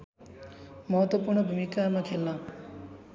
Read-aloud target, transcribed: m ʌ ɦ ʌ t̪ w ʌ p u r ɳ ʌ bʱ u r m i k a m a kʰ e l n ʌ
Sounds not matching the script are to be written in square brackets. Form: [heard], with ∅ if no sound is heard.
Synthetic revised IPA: m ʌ ɦ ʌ t̪ w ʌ p u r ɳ ʌ bʱ u [∅] m i k a m a kʰ e l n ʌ